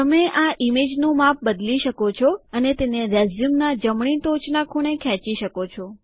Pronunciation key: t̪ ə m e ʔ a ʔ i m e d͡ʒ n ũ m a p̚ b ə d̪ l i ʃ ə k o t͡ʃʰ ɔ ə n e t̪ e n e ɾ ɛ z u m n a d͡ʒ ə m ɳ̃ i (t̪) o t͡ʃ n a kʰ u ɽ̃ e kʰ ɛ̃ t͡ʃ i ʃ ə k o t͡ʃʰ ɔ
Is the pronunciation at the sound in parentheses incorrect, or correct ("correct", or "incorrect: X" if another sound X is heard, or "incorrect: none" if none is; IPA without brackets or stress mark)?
correct